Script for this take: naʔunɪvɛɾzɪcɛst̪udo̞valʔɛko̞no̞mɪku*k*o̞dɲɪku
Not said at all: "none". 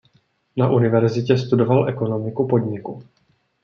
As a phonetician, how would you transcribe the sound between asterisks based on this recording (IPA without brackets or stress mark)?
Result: p